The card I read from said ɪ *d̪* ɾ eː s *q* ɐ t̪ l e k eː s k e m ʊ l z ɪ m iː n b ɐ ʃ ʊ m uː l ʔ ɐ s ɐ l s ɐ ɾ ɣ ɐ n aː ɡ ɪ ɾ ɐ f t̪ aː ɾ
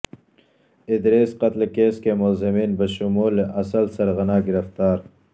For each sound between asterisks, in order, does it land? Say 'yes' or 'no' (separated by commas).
yes, yes